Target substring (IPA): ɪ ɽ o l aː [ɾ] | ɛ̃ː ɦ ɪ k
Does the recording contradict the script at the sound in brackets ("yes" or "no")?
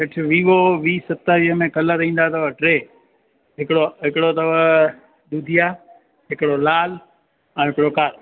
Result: yes